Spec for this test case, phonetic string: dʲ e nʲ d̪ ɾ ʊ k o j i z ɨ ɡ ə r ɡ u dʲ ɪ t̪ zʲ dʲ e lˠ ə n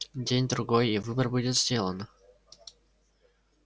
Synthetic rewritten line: dʲ e nʲ d̪ ɾ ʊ ɡ o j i v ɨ b ə r b u dʲ ɪ t̪ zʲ dʲ e lˠ ə n